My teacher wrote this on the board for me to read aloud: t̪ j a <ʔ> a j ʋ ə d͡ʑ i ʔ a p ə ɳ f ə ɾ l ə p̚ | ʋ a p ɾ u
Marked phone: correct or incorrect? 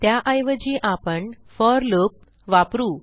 correct